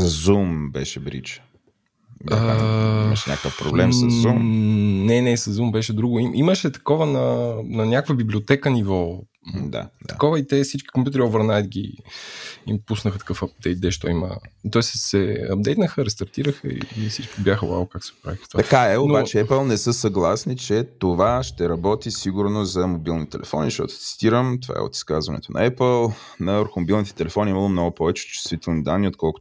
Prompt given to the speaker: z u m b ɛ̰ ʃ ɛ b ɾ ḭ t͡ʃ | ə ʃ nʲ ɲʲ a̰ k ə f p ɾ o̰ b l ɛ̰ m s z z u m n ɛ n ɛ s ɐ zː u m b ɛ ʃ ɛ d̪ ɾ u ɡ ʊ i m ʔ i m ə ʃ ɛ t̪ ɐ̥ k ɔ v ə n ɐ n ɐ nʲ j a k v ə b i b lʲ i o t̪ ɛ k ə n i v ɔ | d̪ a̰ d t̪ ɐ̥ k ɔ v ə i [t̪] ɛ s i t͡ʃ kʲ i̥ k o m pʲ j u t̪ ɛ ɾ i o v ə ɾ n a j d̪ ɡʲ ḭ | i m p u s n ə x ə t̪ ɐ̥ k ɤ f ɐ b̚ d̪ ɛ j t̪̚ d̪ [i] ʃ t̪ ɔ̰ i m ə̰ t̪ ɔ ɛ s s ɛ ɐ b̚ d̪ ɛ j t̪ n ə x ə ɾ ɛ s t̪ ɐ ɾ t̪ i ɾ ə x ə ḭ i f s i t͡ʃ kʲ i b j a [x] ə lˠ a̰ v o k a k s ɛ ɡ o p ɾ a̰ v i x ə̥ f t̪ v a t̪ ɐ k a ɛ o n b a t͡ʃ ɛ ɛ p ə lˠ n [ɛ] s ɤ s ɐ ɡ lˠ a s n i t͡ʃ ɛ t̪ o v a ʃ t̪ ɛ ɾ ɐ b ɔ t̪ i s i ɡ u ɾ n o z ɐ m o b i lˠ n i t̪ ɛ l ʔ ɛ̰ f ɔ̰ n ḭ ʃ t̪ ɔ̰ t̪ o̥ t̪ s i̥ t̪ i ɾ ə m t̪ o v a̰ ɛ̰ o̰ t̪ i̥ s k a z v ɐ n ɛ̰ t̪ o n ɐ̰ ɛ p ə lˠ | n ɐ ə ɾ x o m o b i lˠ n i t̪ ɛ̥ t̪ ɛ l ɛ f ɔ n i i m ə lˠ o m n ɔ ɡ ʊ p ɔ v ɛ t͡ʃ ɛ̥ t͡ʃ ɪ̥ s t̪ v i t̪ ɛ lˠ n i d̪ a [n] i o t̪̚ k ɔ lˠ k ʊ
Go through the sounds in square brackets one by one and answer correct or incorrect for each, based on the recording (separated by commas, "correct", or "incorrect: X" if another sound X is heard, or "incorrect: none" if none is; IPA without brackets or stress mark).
correct, incorrect: ɛ, correct, correct, incorrect: nː